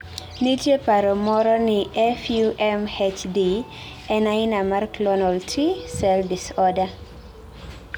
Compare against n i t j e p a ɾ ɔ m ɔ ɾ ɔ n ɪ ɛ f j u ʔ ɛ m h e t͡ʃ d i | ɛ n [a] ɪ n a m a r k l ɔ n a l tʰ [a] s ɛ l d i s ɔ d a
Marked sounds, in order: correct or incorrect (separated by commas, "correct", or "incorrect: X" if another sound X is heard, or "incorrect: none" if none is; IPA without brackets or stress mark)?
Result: correct, incorrect: i